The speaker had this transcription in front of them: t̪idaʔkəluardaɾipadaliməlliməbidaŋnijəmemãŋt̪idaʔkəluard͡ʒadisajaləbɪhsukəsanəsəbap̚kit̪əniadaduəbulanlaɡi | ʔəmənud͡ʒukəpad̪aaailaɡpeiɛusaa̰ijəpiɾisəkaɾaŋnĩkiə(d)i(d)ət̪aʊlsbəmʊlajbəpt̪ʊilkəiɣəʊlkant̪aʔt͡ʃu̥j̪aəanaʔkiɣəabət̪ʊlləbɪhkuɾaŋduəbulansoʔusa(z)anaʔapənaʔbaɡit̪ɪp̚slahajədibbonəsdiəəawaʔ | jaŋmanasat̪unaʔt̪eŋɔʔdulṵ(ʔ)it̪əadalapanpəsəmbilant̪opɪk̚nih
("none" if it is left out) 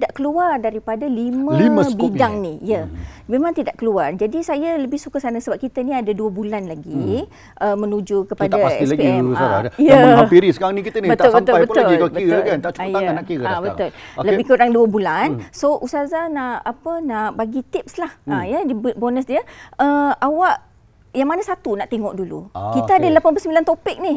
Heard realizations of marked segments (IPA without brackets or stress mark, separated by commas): n, b, z, k